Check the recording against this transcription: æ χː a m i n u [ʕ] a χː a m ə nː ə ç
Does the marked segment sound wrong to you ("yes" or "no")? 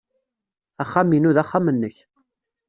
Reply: yes